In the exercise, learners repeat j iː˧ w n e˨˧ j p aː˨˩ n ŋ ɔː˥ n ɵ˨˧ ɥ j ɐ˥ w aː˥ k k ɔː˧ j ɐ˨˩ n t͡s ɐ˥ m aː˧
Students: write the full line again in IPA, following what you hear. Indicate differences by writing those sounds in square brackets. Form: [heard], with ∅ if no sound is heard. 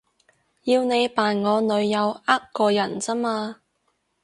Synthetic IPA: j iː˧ w n e˨˧ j p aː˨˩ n ŋ [ɔː˨˧] n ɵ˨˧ ɥ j [ɐ˨˧] w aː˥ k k ɔː˧ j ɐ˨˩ n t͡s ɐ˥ m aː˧